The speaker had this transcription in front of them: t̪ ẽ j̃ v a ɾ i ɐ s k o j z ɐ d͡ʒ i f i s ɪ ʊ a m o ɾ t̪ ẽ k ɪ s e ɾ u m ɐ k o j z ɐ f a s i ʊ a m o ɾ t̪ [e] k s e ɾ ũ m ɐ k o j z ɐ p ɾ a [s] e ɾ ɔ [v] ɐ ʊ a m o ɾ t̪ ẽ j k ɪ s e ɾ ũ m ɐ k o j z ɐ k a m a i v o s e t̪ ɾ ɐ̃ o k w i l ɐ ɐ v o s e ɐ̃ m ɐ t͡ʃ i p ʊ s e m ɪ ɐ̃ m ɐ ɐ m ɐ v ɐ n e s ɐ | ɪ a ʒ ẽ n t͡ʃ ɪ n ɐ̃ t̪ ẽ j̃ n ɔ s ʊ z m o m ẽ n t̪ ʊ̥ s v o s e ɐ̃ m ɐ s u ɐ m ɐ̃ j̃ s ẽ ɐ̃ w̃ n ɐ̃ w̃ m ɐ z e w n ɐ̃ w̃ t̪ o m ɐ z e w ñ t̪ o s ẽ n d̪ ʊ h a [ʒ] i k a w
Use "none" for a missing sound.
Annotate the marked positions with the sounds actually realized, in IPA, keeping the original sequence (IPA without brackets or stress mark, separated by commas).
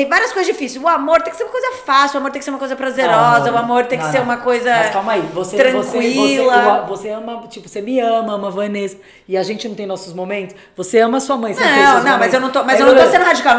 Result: ẽ, z, z, d͡ʒ